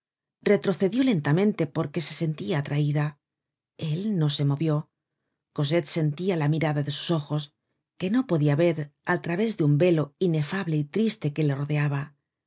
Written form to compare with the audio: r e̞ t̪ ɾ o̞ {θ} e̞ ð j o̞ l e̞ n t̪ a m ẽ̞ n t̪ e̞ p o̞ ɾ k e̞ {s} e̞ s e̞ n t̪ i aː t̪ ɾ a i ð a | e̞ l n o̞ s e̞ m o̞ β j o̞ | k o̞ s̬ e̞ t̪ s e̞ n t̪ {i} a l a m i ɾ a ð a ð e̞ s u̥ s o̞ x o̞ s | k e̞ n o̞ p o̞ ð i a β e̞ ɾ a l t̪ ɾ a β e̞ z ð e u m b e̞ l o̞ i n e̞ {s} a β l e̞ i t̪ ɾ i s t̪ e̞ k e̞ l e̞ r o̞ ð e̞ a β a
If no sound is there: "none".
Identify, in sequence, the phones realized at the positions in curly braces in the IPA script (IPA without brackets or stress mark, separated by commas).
θ, s, i, f